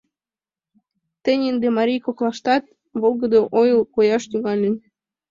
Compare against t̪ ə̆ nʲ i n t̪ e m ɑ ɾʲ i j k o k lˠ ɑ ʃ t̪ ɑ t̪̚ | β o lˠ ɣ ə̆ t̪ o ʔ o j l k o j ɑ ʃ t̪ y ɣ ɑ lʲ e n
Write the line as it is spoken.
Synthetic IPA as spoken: t̪ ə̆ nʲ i n d̪ e m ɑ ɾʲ i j k o k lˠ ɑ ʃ t̪ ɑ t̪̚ | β o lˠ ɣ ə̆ d̪ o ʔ o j l k o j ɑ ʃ t̪ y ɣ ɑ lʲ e n

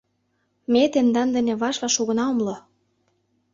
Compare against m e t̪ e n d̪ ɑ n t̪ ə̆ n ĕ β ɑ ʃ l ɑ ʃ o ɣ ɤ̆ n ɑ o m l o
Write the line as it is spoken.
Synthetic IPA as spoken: m e t̪ e n d̪ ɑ n d̪ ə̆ n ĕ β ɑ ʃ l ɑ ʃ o ɣ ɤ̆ n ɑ o m l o

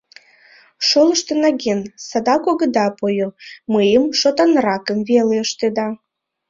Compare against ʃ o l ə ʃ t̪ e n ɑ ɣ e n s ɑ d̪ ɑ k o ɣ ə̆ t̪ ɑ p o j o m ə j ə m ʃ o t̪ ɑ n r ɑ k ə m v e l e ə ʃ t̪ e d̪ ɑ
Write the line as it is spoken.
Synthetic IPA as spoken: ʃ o l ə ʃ t̪ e n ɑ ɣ e n s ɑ d̪ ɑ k o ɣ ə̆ d̪ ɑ p o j o m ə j ə m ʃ o t̪ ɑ n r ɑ k ə m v e l e ə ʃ t̪ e d̪ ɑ

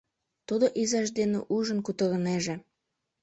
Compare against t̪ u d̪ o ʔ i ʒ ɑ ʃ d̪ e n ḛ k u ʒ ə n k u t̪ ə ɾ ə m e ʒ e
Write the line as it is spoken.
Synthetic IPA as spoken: t̪ u d̪ o ʔ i z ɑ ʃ d̪ e n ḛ ʔ u ʒ ə n k u t̪ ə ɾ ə n e ʒ e

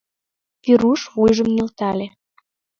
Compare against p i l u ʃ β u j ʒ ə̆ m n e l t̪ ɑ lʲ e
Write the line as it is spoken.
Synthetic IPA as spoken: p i ɾ u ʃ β u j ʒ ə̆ m n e l t̪ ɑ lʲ e

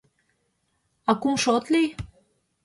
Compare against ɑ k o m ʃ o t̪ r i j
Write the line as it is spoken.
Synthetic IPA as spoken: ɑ k u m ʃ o t̪ l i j

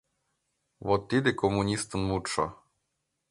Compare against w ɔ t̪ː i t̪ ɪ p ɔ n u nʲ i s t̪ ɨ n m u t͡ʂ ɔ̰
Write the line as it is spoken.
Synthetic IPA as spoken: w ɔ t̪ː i d̪ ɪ k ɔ m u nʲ i s t̪ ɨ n m u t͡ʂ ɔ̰

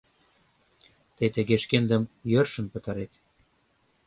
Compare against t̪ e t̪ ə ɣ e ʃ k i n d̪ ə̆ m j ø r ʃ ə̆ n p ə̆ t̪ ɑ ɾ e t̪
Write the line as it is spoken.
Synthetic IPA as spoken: t̪ e t̪ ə ɣ e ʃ k e n d̪ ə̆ m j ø r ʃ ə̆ n p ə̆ t̪ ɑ ɾ e t̪

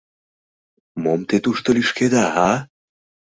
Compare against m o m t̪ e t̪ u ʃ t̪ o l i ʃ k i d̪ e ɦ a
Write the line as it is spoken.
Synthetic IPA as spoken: m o m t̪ e t̪ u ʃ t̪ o l i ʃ k e d̪ a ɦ a

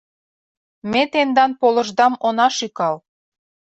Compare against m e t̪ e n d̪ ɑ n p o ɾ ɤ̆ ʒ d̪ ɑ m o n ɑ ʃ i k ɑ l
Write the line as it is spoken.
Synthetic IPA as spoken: m e t̪ e n d̪ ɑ n p o l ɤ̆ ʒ d̪ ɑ m o n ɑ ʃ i k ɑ l

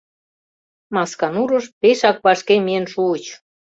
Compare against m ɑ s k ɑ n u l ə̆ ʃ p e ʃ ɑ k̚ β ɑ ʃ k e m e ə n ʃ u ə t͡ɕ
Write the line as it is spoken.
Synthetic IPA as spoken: m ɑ s k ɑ n u ɾ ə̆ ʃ p e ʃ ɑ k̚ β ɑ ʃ k e m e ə n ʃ u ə t͡ɕ

